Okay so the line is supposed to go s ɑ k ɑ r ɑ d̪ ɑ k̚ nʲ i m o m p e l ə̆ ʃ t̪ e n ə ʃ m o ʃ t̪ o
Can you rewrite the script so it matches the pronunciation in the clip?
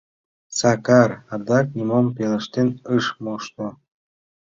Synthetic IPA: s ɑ k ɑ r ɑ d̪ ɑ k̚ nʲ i m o m p e l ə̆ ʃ t̪ e n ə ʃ m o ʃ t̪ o